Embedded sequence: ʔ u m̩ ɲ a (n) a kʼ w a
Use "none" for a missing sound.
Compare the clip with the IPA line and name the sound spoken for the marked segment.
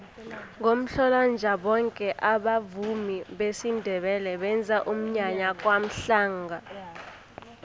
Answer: ɲ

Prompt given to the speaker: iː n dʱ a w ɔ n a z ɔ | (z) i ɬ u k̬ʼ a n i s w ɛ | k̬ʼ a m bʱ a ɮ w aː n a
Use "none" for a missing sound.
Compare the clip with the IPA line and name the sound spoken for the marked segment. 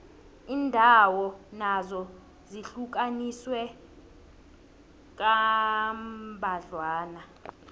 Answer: z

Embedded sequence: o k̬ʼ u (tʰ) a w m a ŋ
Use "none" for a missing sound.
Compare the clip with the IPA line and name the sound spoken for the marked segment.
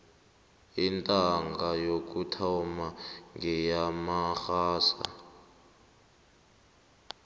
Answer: tʰ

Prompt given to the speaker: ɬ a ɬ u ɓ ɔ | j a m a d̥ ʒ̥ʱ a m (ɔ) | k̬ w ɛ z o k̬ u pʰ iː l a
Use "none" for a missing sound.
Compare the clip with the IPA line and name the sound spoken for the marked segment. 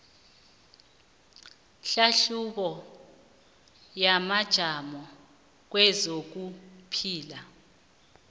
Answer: ɔ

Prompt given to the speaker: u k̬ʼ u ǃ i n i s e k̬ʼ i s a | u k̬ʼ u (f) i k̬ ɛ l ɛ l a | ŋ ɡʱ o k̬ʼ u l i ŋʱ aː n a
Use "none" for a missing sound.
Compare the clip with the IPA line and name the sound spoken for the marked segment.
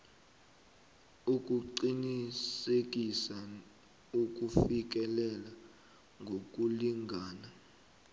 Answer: f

